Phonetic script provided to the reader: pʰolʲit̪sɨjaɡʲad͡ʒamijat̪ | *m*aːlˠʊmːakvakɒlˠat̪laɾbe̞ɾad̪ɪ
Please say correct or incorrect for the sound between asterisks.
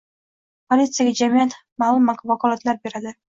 correct